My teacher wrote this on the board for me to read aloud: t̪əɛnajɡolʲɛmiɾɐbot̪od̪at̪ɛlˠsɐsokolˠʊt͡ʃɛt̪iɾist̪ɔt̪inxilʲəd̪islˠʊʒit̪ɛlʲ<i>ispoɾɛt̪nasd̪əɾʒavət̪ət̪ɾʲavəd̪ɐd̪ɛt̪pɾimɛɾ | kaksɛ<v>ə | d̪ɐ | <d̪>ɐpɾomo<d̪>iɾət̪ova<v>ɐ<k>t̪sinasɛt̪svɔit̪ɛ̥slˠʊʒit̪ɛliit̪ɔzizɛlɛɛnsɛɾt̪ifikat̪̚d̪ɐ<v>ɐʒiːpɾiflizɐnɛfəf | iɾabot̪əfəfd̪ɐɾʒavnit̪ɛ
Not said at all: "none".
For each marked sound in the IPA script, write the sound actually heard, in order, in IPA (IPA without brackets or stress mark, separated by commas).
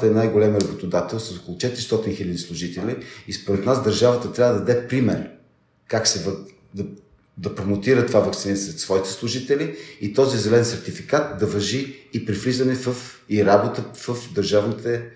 i, v, d̪, t̪, v, k, v